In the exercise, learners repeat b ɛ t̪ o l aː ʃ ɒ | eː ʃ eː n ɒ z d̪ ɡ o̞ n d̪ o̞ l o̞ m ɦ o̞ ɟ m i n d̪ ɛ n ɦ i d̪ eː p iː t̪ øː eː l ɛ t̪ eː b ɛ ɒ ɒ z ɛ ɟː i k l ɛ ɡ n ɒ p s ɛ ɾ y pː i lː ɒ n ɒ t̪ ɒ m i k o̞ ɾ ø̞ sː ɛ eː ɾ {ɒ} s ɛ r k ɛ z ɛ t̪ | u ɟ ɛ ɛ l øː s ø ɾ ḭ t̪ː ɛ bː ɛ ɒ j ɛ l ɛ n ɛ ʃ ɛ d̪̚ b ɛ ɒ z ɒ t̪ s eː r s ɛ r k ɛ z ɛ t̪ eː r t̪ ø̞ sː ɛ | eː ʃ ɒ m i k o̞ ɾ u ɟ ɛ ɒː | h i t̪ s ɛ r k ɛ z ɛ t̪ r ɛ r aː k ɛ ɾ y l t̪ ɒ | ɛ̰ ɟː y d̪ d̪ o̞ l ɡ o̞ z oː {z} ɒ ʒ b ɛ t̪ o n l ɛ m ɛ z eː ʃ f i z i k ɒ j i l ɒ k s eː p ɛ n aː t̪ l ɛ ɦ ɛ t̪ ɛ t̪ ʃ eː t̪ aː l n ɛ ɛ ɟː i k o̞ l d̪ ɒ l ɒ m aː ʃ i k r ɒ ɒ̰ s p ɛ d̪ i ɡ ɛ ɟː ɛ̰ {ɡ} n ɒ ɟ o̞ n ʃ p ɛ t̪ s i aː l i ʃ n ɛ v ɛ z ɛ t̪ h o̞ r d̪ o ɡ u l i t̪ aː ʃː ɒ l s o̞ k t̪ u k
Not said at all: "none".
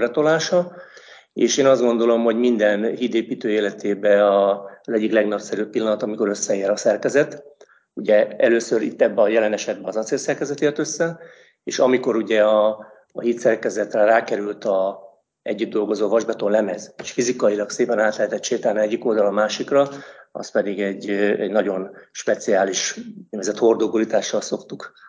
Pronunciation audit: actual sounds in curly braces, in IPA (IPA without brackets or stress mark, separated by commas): ɒ, v, ɟ